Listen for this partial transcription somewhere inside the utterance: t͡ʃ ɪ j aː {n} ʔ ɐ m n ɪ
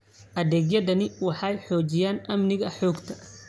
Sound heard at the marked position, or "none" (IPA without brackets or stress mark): n